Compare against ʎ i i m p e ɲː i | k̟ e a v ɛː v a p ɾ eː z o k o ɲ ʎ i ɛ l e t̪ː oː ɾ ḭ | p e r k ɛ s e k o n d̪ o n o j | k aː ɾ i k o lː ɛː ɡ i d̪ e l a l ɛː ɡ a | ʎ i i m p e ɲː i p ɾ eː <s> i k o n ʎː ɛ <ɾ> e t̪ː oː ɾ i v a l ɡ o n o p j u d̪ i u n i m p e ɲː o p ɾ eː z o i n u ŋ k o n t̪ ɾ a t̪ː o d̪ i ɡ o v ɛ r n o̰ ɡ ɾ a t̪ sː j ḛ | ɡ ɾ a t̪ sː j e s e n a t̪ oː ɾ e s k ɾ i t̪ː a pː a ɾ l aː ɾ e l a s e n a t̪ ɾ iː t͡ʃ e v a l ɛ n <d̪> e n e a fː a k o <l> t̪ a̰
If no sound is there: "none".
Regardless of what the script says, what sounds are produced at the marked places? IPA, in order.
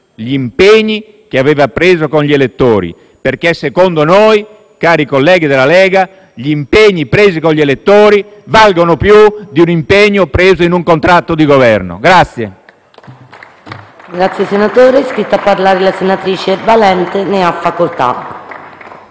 z, l, t̪, l

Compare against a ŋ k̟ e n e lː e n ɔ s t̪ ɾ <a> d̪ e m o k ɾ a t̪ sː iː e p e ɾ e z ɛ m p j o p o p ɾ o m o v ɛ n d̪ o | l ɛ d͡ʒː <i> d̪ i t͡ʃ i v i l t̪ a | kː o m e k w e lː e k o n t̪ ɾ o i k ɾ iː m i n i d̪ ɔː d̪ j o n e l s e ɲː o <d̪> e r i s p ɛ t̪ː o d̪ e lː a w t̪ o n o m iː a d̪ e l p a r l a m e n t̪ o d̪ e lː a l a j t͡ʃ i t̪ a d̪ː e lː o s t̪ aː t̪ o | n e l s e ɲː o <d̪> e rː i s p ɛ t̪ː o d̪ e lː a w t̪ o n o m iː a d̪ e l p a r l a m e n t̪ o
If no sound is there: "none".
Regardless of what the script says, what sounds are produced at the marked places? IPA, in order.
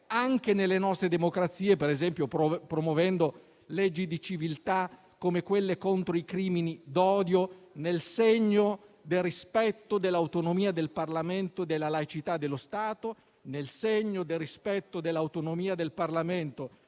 e, i, d̪, d̪

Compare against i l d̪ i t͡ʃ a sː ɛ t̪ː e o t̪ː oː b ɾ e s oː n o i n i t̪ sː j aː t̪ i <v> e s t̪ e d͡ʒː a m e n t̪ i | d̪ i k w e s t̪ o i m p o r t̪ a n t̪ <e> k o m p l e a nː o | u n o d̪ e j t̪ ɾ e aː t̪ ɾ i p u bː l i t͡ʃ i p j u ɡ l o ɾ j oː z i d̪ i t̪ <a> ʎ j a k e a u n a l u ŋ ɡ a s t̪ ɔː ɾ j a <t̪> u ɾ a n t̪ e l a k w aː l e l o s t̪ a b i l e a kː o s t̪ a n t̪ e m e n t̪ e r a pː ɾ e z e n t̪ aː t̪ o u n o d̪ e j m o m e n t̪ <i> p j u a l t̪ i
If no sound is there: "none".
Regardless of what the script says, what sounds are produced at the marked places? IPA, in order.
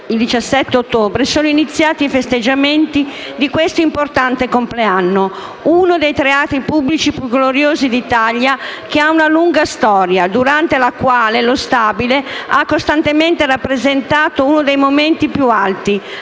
f, e, a, d̪, i

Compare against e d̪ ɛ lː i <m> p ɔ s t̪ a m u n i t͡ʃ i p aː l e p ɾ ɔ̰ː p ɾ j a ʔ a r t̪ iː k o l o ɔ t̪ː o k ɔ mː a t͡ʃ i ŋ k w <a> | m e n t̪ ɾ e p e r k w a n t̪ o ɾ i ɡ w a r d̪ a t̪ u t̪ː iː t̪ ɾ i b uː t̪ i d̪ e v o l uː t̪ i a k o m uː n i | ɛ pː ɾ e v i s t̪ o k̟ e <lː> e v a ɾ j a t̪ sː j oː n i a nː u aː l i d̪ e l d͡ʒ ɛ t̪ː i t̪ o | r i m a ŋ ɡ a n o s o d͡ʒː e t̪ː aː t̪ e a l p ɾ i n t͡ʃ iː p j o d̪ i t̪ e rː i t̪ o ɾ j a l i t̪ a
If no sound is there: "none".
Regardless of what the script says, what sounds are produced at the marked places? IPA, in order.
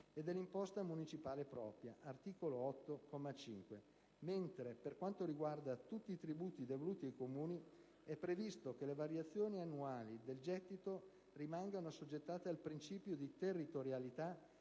m, e, l

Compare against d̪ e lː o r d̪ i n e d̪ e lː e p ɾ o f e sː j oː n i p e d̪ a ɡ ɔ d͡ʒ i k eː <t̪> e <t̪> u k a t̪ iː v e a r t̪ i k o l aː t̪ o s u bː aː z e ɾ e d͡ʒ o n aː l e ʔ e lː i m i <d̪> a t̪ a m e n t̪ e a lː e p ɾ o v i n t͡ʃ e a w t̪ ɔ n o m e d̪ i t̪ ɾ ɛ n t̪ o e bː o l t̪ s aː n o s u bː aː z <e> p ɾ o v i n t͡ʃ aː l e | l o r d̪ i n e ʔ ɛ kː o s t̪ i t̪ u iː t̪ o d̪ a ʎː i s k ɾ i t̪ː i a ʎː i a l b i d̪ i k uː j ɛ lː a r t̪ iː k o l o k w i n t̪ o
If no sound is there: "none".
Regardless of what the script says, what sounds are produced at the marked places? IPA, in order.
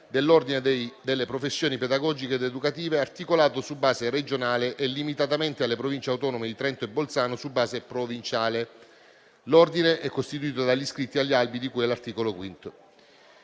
d̪, d̪, t̪, e

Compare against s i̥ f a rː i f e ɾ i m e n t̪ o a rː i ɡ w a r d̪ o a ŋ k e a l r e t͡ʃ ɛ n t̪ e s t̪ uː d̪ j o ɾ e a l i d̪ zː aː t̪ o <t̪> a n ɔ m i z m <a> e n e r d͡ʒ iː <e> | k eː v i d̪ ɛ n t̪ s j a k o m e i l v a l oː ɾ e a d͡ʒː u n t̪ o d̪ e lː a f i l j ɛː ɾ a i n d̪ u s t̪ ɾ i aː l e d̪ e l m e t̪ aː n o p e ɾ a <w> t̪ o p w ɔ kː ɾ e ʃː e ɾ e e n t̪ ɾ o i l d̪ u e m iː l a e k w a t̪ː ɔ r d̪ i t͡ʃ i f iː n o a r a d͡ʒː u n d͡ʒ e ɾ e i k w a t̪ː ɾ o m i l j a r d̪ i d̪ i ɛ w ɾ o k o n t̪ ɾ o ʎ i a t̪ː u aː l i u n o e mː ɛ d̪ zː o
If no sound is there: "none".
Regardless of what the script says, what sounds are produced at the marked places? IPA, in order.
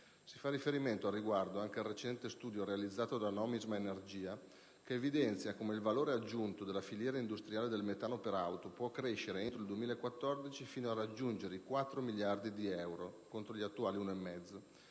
d̪, a, a, w

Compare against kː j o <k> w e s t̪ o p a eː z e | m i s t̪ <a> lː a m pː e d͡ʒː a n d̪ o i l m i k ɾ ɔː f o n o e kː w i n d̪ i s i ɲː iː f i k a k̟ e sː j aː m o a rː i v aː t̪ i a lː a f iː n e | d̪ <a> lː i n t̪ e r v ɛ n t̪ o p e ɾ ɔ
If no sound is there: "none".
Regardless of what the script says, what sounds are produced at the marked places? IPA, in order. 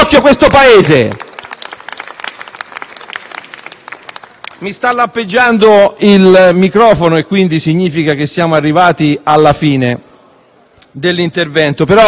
k, a, e

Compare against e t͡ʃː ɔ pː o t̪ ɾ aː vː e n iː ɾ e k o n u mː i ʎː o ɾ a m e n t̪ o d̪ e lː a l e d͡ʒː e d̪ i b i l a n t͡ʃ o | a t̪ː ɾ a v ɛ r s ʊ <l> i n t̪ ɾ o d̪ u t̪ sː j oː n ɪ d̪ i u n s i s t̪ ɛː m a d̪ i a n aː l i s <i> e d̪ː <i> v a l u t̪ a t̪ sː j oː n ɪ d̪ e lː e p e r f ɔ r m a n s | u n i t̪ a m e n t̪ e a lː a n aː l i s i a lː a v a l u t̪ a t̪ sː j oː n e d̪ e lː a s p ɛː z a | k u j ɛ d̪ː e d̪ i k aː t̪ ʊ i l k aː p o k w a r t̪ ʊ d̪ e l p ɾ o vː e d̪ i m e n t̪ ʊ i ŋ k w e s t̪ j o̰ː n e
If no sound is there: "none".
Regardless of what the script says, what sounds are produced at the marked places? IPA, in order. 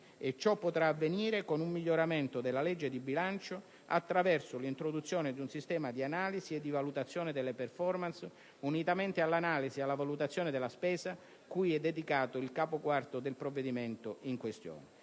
l, i, i

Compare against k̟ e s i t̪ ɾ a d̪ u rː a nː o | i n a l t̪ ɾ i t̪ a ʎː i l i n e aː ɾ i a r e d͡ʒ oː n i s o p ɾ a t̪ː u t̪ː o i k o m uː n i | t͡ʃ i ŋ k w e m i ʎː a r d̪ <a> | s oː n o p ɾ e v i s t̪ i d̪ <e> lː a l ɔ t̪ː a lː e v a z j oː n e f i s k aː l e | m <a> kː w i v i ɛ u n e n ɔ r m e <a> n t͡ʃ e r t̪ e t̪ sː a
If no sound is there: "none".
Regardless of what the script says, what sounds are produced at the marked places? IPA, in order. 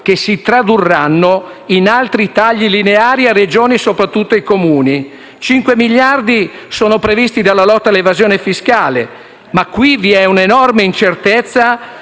i, a, a, i

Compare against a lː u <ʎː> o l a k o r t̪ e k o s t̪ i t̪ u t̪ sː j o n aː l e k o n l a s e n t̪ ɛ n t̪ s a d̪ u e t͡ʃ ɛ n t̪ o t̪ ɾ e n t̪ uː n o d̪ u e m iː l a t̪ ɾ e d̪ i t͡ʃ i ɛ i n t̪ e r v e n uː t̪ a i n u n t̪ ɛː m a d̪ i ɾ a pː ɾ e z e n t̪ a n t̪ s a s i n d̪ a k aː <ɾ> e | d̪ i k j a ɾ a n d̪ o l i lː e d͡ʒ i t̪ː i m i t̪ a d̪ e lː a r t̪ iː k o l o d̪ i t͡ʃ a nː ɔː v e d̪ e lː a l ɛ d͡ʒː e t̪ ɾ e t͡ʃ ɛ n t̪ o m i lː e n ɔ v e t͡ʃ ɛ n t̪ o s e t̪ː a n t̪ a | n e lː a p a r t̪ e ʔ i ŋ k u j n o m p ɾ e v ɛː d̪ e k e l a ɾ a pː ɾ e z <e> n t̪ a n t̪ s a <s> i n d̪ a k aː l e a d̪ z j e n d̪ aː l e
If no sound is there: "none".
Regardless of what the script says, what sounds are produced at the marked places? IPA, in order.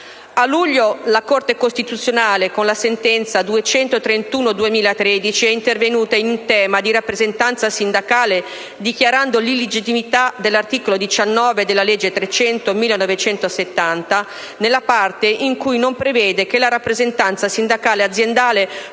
ʎː, l, e, s

